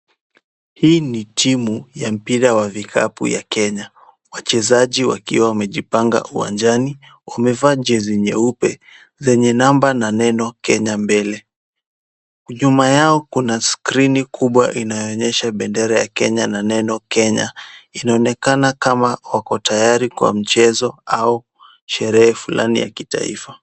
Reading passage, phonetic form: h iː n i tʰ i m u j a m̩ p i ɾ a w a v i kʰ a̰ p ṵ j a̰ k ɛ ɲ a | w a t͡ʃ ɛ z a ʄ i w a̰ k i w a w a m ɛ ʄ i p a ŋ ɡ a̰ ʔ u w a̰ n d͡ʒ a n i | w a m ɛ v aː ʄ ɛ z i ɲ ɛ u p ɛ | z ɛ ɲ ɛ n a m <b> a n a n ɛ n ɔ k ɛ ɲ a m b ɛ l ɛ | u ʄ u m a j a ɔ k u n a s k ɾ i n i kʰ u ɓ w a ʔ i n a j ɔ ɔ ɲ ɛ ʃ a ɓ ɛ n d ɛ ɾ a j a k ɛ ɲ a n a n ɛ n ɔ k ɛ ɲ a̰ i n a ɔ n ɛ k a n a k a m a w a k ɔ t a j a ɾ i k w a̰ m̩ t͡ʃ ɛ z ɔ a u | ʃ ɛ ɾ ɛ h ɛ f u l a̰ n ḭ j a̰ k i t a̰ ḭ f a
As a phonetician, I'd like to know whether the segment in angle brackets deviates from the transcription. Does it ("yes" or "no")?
no